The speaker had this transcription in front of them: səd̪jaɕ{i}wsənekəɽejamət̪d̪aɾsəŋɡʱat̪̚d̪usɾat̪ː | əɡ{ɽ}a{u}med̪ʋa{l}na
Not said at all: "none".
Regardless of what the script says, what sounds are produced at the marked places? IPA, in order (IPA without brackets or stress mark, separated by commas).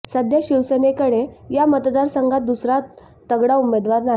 i, ɽ, u, ɾ